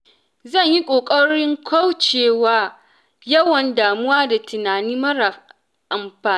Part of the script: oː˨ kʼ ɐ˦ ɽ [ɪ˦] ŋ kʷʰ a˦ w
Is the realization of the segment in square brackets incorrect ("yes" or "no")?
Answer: no